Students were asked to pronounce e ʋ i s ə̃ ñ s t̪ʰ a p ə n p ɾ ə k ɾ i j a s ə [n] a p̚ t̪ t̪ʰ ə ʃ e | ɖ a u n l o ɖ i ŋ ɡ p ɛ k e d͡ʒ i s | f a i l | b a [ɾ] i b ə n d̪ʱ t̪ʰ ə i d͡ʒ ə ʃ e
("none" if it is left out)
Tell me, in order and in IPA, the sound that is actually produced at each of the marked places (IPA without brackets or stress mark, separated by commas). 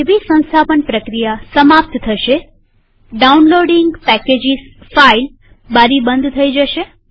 m, ɾ